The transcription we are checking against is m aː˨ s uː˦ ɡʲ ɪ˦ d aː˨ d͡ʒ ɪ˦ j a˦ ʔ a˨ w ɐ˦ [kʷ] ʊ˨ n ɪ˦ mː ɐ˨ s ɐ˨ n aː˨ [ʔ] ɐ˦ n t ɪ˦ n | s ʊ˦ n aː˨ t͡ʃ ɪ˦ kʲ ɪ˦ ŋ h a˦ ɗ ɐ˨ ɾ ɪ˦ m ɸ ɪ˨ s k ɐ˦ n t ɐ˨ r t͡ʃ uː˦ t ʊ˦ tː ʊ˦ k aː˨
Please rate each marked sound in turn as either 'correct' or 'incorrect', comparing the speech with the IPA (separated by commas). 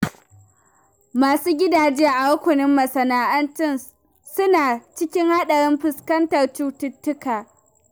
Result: correct, correct